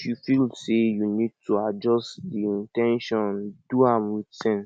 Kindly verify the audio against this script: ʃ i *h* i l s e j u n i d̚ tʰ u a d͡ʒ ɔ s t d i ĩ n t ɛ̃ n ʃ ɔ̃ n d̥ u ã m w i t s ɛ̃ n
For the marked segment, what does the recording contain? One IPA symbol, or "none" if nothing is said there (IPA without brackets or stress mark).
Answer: f